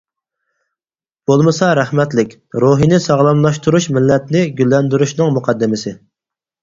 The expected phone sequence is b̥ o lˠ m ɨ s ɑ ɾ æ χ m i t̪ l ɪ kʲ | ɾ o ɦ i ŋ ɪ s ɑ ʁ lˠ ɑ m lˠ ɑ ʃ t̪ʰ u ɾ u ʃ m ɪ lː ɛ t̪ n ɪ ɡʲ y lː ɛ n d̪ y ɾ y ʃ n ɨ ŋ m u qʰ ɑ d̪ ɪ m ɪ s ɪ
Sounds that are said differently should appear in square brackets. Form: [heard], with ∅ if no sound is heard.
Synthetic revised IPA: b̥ o lˠ m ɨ s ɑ ɾ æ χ m [ɛ] t̪ l ɪ kʲ | ɾ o ɦ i [n] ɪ s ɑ ʁ lˠ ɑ m lˠ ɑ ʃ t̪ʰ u ɾ u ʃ m ɪ lː ɛ t̪ n ɪ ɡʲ y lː ɛ n d̪ y ɾ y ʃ n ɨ ŋ m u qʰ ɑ [d̪ː] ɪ m ɪ s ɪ